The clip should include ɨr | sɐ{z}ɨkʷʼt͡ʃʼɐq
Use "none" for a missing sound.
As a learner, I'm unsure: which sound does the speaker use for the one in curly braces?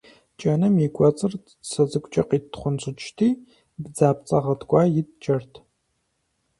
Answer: z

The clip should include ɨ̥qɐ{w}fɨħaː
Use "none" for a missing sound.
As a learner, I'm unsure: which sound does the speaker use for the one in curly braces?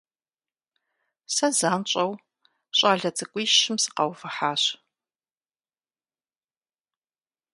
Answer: w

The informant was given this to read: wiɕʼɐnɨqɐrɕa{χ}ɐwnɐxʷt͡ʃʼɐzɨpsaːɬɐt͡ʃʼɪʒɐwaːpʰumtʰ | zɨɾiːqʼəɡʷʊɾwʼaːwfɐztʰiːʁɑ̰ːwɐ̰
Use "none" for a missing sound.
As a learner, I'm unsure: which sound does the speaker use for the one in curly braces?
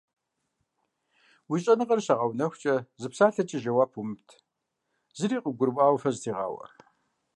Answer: ʁ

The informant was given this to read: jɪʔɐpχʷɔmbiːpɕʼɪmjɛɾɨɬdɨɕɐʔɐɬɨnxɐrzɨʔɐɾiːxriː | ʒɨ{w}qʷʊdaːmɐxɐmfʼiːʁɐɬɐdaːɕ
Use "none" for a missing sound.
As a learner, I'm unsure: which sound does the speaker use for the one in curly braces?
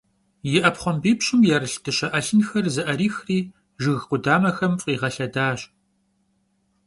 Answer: ɣ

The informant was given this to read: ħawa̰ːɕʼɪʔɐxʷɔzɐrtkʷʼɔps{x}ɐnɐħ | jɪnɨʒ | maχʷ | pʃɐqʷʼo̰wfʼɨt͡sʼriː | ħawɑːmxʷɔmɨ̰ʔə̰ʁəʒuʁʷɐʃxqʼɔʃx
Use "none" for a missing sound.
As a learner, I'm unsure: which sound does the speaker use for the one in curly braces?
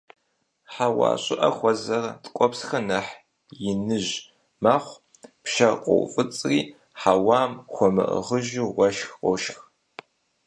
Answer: x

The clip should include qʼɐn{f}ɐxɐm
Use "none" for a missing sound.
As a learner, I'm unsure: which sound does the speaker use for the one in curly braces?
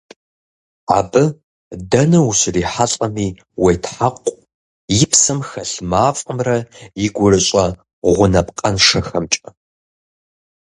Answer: ʂ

